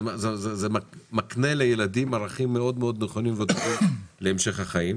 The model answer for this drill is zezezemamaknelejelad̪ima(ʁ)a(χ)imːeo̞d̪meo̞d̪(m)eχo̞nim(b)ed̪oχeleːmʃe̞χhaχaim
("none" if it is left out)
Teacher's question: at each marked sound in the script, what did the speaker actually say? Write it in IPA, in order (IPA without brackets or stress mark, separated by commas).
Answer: ʁ, χ, n, v